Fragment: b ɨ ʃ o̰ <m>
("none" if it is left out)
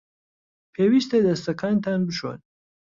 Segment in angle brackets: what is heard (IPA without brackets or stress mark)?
n